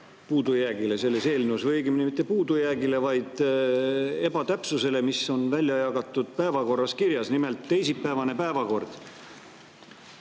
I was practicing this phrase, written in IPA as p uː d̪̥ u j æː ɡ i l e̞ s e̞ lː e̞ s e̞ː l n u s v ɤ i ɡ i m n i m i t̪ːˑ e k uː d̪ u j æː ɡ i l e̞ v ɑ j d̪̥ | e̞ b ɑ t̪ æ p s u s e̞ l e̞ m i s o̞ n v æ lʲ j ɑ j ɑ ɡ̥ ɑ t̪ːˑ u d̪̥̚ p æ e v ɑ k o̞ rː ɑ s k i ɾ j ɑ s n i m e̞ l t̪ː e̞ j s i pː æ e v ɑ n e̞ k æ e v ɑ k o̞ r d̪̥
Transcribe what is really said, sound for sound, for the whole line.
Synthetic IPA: p uː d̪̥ u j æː ɡ i l e̞ s e̞ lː e̞ s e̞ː l n u s v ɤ j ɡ i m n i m i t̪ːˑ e p uː d̪ u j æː ɡ i l e̞ v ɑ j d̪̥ | e̞ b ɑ t̪ æ p s u s e̞ l e̞ m i s o̞ n v æ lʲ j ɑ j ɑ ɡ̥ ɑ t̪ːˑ u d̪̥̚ p æ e v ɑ k o̞ rː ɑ s k i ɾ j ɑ s n i m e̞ l t̪ː e̞ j s i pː æ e v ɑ n e̞ p æ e v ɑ k o̞ r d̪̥